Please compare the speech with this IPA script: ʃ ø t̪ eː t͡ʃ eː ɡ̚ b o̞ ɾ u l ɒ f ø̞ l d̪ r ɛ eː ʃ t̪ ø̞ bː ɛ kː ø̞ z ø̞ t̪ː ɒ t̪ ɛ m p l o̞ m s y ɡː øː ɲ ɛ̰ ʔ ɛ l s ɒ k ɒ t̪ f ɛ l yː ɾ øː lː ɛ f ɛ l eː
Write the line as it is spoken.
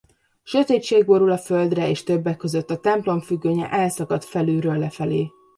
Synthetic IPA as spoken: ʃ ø t̪ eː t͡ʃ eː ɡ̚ b o̞ ɾ u l ɒ f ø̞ l d̪ r ɛ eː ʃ t̪ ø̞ bː ɛ kː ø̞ z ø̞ t̪ː ɒ t̪ ɛ m p l o̞ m f y ɡː øː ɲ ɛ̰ ʔ ɛ l s ɒ k ɒ t̪ f ɛ l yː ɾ øː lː ɛ f ɛ l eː

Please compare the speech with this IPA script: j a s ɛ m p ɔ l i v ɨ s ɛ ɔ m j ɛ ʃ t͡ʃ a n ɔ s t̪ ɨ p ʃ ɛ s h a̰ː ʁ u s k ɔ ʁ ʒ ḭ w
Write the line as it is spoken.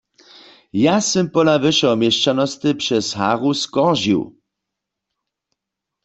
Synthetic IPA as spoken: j a s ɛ m p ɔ l a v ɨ ʃ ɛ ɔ m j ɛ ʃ t͡ʃ a n ɔ s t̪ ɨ p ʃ ɛ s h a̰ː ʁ u s k ɔ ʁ ʒ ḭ w

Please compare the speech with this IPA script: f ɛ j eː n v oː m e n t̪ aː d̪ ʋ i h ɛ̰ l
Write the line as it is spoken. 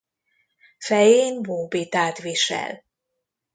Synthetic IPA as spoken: f ɛ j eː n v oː b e t̪ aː t̪ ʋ i ʃ ɛ̰ l

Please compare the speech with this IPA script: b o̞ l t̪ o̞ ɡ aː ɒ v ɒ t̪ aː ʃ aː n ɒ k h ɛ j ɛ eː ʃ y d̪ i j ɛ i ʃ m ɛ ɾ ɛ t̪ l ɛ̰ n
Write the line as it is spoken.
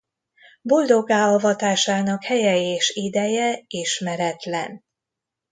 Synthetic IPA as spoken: b o̞ l d̪ o̞ ɡ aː ɒ v ɒ t̪ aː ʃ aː n ɒ k h ɛ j ɛ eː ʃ i d̪ ɛ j ɛ i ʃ m ɛ ɾ ɛ t̪ l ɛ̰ n

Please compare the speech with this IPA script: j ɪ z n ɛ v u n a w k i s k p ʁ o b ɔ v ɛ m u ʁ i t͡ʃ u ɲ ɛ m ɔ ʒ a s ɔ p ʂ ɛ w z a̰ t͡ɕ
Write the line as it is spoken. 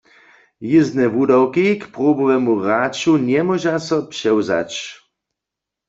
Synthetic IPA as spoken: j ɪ z n ɛ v u d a w k i k p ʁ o b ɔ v ɛ m u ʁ a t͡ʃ u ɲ ɛ m ɔ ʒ a s ɔ p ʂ ɛ w z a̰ t͡ɕ

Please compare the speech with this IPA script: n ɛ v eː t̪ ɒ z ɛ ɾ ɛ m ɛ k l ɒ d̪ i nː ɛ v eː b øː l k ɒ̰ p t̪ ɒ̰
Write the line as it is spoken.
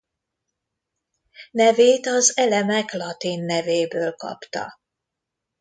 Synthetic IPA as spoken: n ɛ v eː t̪ ɒ z ɛ l ɛ m ɛ k l ɒ t̪ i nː ɛ v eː b øː l k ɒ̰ p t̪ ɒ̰

